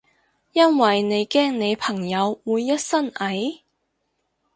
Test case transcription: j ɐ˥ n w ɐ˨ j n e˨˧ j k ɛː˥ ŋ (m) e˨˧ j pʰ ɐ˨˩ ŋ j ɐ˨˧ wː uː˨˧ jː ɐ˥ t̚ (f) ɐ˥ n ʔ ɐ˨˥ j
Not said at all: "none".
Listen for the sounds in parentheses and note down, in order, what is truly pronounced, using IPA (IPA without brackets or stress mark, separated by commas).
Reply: n, s